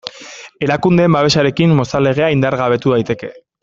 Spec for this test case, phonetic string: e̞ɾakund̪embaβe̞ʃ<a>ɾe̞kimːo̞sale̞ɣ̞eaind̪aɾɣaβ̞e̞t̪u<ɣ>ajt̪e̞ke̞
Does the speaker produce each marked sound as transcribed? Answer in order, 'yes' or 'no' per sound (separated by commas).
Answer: yes, no